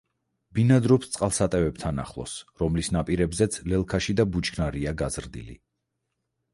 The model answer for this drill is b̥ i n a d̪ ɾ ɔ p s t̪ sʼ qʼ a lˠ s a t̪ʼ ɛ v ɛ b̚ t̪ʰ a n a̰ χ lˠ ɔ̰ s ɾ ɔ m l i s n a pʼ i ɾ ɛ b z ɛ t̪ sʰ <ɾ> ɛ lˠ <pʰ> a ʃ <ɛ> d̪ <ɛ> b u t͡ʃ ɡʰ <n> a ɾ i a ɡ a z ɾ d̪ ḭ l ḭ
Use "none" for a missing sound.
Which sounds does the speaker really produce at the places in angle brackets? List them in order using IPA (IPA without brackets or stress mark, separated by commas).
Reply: l, kʰ, i, a, n